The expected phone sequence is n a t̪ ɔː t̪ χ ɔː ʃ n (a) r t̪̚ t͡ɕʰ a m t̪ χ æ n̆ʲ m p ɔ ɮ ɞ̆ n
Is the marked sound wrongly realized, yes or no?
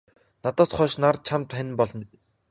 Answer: no